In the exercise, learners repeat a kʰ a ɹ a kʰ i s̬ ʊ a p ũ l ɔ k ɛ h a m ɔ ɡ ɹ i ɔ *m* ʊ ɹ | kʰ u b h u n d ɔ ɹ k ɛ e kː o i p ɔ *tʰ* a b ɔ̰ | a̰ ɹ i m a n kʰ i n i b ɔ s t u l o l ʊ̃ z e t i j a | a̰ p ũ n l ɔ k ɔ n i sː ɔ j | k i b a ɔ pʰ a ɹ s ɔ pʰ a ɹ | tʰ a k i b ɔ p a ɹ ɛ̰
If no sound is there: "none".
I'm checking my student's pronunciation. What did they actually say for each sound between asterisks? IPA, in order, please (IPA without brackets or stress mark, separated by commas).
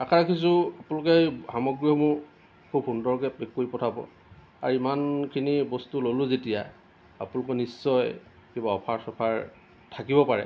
m, tʰ